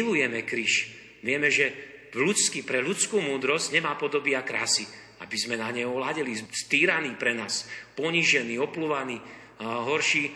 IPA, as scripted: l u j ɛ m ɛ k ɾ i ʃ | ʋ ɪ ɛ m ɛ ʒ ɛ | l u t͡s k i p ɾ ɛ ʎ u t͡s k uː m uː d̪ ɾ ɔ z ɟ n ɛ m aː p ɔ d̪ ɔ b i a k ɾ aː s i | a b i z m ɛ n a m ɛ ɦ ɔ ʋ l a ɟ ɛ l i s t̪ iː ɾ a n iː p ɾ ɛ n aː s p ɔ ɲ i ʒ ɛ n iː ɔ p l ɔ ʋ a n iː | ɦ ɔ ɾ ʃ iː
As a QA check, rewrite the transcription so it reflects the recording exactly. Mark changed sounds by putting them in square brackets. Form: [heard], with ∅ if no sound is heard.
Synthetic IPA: l u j ɛ m ɛ k ɾ i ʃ | ʋ ɪ ɛ m ɛ ʒ ɛ | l u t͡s k i p ɾ ɛ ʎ u t͡s k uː m uː d̪ ɾ ɔ z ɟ [ɲ] ɛ m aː p ɔ d̪ ɔ b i a k ɾ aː s i | a b i z m ɛ n a [ɲ] ɛ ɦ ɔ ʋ l a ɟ ɛ l i s t̪ iː ɾ a n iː p ɾ ɛ n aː s p ɔ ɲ i ʒ ɛ n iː ɔ p l [u] ʋ a n iː | ɦ ɔ ɾ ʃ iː